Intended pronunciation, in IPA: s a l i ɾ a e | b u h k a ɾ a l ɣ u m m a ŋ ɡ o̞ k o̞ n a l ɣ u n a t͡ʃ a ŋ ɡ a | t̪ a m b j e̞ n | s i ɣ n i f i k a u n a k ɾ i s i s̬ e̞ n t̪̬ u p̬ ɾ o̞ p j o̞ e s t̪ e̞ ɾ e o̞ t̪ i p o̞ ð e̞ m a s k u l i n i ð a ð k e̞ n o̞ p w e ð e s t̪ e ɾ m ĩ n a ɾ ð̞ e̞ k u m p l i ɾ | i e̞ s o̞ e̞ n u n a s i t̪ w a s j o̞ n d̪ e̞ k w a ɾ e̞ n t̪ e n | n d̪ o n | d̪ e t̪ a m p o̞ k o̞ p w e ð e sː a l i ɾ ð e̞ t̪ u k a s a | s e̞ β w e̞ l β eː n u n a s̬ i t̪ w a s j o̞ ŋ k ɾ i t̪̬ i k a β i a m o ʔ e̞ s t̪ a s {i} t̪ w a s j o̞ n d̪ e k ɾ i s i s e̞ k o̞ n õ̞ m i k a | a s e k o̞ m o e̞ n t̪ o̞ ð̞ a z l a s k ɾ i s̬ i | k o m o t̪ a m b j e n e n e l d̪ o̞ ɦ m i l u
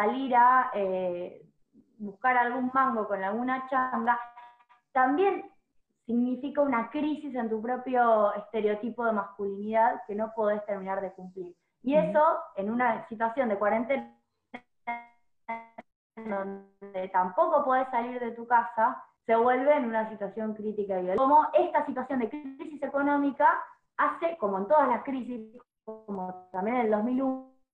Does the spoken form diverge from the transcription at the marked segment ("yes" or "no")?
no